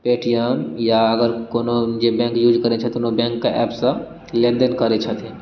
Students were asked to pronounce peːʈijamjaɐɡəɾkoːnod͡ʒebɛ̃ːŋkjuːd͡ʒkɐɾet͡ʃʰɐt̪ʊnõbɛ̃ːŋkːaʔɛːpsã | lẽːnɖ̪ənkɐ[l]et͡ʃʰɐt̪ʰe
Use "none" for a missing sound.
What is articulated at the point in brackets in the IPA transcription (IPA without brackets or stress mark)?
ɾ